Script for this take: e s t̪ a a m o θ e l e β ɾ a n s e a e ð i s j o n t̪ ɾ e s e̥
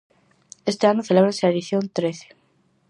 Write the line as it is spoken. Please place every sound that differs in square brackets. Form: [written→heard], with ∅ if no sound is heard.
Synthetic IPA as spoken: e s t̪ [a→e] a [m→n] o θ e l e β ɾ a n s e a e ð i [s→θ] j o n t̪ ɾ e [s→θ] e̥